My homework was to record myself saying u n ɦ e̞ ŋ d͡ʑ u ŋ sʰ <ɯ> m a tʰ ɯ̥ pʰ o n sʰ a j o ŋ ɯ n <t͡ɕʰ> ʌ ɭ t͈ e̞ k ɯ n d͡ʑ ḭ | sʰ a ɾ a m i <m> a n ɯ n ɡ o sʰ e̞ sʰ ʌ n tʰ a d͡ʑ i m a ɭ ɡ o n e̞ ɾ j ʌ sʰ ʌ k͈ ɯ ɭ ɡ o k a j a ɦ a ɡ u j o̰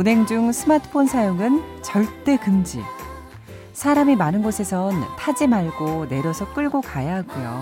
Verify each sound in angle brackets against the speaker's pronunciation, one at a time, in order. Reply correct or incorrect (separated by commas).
correct, incorrect, correct